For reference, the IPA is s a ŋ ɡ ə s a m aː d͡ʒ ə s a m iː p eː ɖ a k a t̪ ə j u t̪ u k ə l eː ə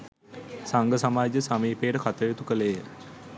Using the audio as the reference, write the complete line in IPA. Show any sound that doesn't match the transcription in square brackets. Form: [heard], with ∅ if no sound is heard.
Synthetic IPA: s a ŋ ɡ ə s a m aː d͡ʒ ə s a m iː p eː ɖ [ə] k a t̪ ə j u t̪ u k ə l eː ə